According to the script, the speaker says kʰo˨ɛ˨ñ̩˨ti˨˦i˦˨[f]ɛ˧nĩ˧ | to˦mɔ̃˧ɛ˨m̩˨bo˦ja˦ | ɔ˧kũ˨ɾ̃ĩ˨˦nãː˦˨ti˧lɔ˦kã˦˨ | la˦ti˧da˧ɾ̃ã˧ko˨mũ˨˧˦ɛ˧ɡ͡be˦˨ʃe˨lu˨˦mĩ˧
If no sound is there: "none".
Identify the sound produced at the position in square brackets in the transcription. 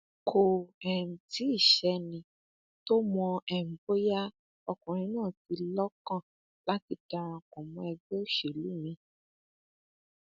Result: ʃ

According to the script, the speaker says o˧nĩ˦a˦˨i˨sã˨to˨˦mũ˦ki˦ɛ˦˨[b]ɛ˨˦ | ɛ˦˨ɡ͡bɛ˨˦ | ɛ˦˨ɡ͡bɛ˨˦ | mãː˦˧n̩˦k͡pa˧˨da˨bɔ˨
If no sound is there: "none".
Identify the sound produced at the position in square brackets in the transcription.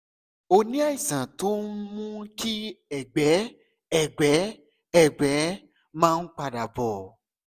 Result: ɡ͡b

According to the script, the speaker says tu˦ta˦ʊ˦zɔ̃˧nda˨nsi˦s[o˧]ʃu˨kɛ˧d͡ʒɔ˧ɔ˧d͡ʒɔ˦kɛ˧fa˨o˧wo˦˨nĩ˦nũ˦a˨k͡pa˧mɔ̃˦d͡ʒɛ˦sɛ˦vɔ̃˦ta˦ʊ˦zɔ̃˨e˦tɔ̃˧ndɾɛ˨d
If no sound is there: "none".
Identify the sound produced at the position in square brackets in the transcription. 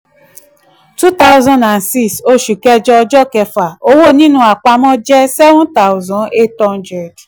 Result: o˧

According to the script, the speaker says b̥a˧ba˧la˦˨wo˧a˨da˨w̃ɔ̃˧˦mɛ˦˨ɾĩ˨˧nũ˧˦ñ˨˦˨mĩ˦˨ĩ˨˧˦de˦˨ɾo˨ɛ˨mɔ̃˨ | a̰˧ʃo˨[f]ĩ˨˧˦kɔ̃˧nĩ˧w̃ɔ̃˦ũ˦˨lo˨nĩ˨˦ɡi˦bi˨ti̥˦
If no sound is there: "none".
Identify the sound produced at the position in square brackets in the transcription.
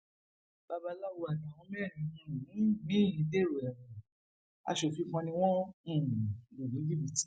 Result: f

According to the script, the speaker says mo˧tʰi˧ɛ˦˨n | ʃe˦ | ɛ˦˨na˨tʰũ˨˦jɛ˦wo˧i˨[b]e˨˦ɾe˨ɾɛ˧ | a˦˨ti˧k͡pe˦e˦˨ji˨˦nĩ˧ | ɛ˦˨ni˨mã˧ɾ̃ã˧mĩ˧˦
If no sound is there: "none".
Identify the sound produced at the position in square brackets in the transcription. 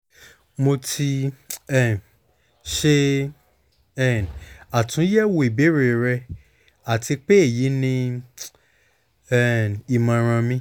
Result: b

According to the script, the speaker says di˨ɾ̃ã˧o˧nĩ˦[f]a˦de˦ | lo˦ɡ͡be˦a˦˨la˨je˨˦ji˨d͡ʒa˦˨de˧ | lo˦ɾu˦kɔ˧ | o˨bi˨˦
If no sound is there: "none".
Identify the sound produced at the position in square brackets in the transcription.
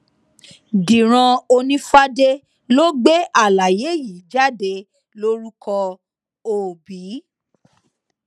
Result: f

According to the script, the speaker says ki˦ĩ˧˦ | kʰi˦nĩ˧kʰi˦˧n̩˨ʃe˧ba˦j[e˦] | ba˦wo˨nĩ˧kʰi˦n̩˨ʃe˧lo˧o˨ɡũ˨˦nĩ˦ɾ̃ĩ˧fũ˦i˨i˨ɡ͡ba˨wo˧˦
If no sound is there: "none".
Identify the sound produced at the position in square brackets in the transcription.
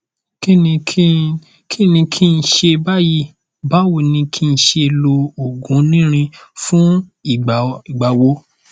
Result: i˦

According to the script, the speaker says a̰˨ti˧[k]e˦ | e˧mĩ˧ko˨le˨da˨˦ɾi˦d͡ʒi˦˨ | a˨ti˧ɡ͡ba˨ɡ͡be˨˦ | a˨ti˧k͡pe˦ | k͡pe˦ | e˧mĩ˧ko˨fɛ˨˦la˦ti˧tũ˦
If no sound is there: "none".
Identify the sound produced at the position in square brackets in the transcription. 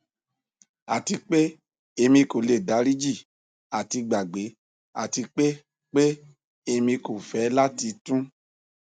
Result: k͡p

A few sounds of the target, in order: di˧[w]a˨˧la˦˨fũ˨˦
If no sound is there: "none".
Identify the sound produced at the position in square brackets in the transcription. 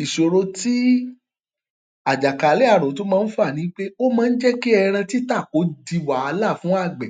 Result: w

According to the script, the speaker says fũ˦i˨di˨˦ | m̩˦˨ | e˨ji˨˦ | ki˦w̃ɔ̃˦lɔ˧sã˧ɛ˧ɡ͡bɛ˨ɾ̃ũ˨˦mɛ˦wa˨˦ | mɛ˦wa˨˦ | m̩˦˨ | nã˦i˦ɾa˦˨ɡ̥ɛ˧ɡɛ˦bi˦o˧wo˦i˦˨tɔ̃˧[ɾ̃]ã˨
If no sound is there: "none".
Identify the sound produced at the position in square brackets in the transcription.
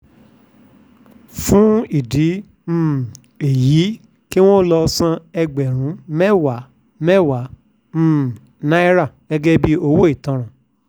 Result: ɾ̃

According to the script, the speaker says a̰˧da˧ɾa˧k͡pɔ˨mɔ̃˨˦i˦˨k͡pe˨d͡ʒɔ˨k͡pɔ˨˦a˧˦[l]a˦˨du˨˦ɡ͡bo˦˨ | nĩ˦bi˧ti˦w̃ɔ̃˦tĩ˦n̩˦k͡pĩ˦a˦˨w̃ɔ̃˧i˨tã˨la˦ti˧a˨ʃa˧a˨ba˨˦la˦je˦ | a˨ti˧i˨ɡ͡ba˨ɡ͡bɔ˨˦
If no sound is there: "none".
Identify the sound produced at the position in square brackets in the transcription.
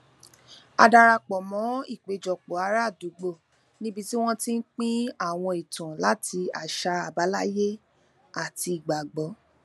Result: ɾ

